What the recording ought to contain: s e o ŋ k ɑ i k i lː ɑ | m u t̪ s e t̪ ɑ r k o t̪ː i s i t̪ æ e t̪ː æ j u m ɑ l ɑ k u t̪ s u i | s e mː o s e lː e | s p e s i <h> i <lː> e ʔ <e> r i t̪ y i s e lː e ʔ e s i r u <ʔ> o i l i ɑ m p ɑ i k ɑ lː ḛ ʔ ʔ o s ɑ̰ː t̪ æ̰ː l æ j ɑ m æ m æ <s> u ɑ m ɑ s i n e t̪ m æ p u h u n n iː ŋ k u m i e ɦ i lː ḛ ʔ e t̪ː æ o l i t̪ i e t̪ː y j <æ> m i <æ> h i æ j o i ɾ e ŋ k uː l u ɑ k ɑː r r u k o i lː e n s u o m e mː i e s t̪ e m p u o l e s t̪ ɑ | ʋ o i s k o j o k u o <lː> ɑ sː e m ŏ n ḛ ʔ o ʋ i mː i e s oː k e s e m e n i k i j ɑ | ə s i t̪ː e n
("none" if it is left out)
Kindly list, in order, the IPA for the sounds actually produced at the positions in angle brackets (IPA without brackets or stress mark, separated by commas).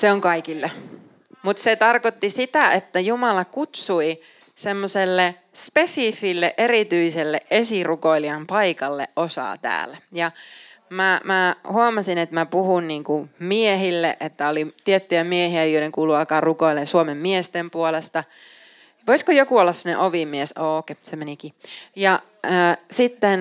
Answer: f, lː, e, k, h, æ, e, lː